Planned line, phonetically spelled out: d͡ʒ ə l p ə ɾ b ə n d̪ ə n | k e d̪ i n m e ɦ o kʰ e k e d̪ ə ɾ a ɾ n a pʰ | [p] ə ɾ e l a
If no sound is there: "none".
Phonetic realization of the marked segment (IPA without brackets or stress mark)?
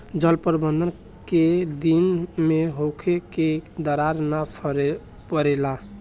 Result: p